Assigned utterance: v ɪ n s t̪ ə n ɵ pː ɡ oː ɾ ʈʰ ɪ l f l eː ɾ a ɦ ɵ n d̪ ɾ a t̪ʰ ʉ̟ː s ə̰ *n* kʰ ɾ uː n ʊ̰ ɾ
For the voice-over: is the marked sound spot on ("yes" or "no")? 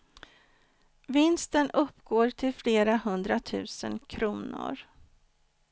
yes